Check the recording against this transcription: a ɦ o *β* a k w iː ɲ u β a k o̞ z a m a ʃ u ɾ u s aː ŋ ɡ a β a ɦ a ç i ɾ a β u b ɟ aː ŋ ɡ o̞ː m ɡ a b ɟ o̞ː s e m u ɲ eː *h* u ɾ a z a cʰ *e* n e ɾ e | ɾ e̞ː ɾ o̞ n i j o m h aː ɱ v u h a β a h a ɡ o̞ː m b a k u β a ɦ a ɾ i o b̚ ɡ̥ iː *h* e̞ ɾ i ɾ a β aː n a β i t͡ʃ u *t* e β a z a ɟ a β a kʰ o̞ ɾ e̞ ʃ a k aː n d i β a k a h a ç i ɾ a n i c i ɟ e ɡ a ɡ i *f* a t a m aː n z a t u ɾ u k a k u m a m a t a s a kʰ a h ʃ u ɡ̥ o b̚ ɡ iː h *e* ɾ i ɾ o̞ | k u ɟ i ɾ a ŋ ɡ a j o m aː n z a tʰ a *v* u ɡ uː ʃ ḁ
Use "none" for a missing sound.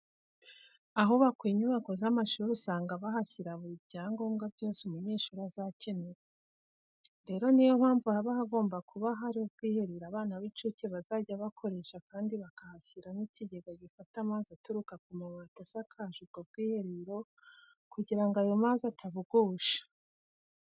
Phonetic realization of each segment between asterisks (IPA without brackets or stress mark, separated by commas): β, ʃ, e, h, c, f, e, β